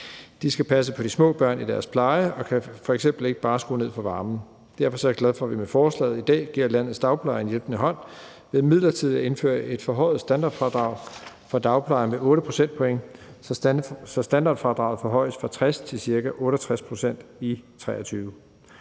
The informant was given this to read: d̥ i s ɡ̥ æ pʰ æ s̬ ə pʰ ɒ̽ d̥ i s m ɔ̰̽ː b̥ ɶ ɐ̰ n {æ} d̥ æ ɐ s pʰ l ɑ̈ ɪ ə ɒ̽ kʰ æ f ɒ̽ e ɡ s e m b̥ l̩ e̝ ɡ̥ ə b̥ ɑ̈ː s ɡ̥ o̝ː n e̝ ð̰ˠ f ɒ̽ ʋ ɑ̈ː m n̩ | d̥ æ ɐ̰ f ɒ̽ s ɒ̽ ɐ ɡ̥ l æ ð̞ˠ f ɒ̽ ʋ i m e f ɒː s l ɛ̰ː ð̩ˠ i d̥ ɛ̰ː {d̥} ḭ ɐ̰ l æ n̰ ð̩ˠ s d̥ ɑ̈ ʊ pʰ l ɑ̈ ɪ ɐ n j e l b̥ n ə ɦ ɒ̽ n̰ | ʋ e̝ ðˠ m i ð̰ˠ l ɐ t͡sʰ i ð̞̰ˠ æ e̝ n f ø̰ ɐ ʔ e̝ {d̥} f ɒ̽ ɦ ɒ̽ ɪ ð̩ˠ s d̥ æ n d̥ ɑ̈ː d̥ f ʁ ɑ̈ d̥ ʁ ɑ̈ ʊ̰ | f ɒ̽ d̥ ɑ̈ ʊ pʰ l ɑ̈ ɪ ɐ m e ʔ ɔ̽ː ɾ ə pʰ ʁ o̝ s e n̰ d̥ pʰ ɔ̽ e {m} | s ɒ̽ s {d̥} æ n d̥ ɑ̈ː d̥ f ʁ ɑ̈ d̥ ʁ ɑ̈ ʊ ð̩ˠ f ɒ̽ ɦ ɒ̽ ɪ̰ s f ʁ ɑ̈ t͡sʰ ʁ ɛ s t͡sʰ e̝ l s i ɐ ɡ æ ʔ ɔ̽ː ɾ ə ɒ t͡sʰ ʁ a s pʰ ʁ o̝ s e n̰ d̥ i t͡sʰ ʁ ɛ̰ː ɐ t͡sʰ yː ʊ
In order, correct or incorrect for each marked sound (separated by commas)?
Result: incorrect, incorrect, correct, incorrect, correct